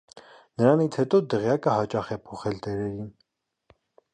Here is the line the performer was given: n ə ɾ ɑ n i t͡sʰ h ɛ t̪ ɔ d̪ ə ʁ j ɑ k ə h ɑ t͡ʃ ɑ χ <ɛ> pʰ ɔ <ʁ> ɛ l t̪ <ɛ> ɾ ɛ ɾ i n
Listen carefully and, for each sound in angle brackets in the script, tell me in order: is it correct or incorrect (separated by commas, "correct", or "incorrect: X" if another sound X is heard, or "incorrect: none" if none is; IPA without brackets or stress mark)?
correct, incorrect: χ, correct